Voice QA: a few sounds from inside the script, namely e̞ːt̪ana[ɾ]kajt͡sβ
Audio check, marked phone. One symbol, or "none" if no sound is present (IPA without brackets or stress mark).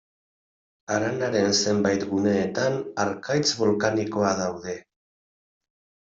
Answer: ɾ